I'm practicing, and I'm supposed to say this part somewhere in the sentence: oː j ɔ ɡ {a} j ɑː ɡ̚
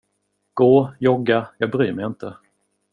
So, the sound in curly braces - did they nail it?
yes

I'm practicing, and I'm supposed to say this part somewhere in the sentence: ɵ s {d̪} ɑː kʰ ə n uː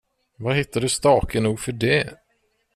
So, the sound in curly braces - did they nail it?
no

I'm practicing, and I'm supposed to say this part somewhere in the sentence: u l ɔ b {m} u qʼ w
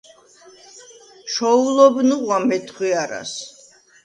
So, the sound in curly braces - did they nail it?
no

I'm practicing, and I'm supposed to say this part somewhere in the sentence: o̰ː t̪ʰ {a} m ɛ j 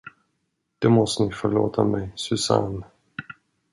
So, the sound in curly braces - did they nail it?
yes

